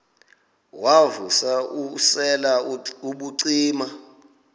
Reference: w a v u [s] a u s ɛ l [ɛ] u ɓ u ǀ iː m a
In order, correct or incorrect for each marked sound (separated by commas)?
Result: correct, incorrect